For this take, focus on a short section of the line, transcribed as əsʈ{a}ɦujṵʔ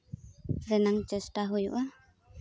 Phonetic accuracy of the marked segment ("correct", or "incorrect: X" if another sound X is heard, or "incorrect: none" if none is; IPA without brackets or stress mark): correct